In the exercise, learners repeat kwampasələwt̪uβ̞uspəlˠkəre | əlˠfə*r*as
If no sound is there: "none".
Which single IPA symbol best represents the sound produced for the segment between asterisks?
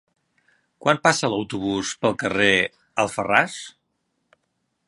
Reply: r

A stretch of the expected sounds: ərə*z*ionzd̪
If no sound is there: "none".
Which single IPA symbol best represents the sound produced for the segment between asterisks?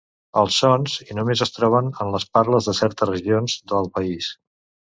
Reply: ʒ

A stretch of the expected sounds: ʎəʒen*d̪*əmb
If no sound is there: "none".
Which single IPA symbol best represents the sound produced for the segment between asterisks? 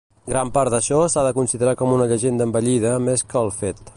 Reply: d̪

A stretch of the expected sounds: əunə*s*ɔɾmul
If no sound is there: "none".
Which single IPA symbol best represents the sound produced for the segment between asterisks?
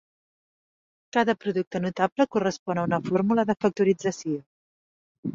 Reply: f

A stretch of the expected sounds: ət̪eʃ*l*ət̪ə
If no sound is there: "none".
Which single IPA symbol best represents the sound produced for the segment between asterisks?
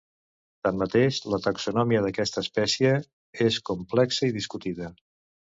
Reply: l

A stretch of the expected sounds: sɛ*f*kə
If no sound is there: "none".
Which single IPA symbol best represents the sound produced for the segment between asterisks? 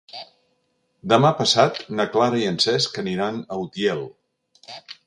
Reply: s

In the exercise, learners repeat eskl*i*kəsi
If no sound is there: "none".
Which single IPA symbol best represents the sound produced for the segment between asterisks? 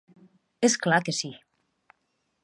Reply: a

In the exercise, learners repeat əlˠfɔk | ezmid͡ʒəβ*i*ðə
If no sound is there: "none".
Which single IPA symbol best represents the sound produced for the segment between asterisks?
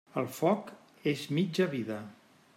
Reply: i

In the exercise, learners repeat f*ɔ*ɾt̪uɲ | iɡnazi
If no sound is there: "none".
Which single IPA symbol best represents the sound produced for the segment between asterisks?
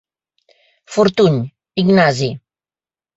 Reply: u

